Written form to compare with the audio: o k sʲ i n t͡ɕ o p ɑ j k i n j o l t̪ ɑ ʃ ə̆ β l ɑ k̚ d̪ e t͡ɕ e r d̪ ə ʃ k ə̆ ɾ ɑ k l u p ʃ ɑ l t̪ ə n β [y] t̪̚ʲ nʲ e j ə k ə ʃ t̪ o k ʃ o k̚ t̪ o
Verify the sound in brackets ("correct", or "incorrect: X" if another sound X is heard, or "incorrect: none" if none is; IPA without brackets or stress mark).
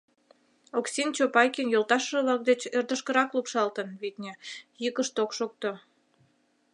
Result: incorrect: i